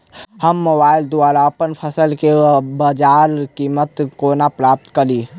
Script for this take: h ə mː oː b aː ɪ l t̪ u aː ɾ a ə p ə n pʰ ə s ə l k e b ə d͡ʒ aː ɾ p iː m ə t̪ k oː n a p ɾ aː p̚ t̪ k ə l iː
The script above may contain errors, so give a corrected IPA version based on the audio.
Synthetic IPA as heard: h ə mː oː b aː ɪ l d̪ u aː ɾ a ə p ə n pʰ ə s ə l k e b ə d͡ʒ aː ɾ k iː m ə t̪ k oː n a p ɾ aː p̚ t̪ k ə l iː